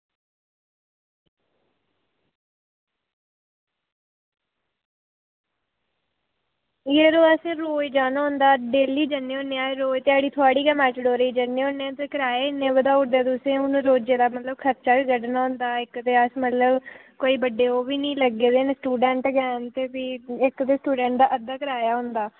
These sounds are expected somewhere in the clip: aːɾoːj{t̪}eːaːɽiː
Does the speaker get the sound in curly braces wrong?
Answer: no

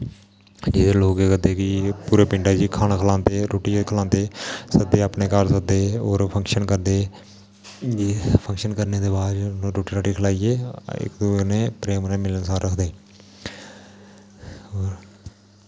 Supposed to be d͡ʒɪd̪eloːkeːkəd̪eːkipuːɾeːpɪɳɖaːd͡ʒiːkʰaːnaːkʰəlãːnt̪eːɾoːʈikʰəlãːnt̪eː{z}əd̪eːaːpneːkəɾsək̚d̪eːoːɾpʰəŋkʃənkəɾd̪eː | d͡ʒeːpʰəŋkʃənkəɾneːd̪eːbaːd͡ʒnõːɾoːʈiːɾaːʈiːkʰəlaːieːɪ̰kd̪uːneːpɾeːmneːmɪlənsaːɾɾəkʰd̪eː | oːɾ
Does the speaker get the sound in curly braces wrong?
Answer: yes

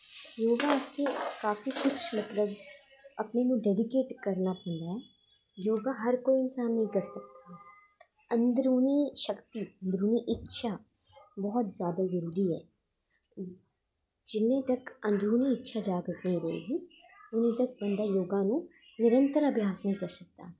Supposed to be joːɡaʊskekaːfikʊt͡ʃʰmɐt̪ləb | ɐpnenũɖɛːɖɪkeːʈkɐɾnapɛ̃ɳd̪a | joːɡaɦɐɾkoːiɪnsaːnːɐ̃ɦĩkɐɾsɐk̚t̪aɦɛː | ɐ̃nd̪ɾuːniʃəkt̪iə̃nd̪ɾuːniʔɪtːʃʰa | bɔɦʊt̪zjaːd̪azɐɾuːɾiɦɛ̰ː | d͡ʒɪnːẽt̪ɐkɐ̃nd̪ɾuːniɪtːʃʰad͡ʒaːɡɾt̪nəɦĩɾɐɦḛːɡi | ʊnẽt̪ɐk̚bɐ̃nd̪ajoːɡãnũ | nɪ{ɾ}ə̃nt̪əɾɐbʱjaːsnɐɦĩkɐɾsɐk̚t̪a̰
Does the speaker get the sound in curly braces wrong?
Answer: no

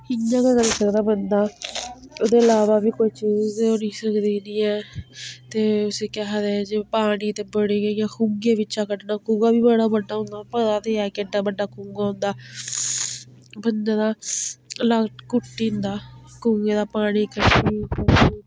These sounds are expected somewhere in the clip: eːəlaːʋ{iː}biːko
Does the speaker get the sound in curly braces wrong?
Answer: yes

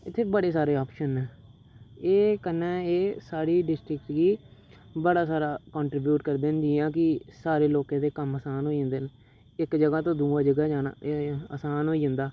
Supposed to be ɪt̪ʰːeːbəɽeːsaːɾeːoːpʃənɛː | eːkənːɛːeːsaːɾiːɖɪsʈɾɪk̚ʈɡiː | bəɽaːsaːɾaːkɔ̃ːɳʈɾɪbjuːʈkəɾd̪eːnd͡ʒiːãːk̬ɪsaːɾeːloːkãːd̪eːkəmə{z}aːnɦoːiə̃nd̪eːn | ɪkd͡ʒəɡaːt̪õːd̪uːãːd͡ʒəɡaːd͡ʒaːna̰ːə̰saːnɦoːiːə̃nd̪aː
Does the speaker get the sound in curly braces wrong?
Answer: yes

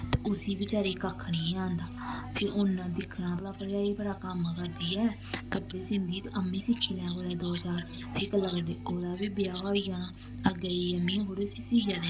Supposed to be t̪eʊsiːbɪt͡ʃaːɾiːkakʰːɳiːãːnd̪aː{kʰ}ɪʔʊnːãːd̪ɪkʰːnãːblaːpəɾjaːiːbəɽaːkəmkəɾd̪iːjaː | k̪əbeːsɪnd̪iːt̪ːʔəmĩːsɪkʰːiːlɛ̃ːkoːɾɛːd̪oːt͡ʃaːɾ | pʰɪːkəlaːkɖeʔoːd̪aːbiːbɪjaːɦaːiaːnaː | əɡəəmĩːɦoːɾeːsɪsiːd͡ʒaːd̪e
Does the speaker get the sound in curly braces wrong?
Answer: yes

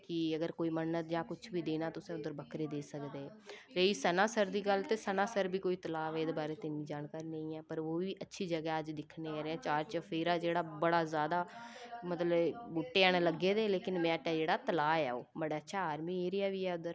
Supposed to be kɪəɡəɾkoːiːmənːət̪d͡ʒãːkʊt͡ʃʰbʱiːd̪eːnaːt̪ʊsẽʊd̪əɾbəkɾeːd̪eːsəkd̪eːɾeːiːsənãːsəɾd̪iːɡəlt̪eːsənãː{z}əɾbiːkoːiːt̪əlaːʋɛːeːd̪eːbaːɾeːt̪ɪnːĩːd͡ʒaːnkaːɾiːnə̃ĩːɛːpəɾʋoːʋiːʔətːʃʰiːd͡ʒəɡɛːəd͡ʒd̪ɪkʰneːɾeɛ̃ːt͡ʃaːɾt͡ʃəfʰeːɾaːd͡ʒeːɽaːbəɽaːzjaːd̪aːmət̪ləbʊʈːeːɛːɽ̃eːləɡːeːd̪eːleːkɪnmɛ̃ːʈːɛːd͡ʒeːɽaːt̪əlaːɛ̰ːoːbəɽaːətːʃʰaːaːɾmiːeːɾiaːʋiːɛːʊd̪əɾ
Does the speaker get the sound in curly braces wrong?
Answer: yes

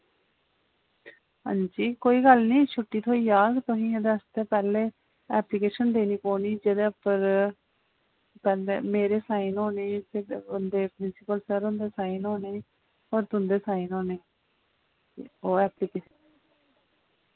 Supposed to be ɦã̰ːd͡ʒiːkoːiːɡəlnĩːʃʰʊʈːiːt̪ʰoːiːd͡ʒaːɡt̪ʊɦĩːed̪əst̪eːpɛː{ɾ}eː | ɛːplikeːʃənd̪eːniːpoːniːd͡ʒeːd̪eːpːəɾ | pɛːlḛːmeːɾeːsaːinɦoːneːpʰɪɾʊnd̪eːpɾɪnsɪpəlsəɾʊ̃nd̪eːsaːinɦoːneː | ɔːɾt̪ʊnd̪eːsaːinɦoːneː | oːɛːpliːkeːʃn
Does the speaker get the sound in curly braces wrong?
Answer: yes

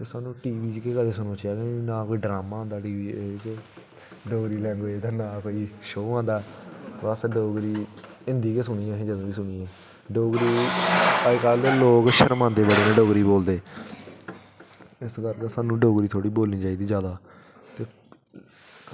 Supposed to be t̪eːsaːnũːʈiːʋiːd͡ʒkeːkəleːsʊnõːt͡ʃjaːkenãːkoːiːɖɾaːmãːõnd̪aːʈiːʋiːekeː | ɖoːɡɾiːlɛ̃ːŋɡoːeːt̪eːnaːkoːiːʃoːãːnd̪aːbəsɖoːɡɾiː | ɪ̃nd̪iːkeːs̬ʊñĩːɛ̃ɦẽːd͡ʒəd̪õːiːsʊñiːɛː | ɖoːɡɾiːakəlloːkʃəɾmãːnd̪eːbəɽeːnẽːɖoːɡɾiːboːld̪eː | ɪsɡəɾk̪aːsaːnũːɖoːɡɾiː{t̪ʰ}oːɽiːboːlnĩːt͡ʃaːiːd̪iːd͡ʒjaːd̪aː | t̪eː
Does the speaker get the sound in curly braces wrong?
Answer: no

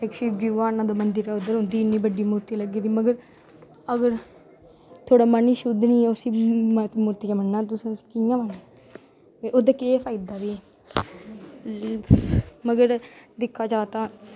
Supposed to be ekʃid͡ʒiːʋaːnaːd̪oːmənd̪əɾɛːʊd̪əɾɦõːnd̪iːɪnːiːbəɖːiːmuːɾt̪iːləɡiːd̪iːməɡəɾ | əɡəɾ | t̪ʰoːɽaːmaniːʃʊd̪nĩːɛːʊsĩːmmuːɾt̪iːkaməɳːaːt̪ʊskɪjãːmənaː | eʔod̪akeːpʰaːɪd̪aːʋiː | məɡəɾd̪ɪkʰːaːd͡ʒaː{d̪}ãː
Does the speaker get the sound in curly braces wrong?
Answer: yes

